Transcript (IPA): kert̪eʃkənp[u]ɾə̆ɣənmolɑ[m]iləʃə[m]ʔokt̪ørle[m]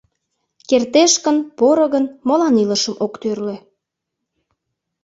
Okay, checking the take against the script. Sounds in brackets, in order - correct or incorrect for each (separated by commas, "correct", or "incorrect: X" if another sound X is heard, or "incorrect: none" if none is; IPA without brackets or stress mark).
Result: incorrect: o, incorrect: n, correct, incorrect: none